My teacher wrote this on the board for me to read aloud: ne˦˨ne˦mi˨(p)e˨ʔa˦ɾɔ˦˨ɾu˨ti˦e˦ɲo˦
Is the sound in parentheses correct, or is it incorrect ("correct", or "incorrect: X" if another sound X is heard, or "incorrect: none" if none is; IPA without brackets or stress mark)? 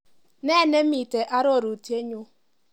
incorrect: t